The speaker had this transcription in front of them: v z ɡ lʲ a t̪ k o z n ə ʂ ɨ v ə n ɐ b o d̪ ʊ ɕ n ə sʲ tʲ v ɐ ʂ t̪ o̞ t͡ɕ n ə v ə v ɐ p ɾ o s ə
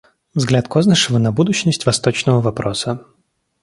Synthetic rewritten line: v z ɡ lʲ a t̪ k o z n ə ʂ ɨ v ə n ɐ b u d̪ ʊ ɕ n ə sʲ tʲ v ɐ s t̪ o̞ t͡ɕ n ə v ə v ɐ p ɾ o s ə